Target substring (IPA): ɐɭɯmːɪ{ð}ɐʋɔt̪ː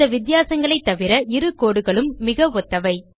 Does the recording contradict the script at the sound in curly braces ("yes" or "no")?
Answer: yes